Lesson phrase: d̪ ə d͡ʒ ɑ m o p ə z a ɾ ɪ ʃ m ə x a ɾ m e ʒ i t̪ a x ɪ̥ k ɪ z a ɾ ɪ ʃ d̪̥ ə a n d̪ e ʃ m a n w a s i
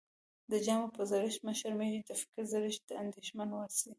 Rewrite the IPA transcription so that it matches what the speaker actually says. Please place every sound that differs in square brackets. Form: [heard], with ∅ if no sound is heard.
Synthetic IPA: d̪ ə d͡ʒ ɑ m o p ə z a ɾ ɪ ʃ m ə [ʃ] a ɾ m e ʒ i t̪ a [f] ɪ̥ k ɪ z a ɾ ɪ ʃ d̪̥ ə a n d̪ e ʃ m a n w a s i